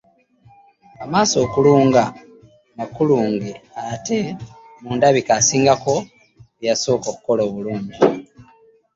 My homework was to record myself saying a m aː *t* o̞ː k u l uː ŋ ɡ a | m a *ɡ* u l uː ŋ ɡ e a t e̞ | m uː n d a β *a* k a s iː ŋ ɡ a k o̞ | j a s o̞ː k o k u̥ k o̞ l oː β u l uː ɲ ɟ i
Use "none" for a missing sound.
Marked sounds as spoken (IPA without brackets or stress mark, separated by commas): s, k, i